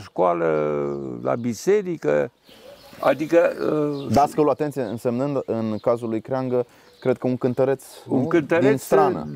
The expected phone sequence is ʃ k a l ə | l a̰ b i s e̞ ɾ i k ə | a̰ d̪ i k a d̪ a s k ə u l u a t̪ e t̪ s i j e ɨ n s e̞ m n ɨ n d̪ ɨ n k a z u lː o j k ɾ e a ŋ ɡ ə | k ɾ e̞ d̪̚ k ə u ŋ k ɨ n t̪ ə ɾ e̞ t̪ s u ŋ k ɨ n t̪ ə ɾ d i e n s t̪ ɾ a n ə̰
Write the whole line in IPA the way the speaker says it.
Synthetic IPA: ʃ k a l ə | l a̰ b i s e̞ ɾ i k ə | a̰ d̪ i k ə d̪ a s k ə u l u a t̪ e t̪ s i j e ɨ n s e̞ m n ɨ n d̪ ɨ n k a z u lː u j k ɾ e a ŋ ɡ ə | k ɾ e̞ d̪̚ k ə u ŋ k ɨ n t̪ ə ɾ e̞ t̪ s u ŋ k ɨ n t̪ ə ɾ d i e n s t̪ ɾ a n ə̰